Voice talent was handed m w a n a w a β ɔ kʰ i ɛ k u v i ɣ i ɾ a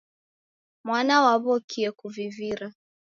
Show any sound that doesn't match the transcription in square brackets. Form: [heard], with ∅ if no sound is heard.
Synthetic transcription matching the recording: m w a n a w a β ɔ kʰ i ɛ k u v i [v] i ɾ a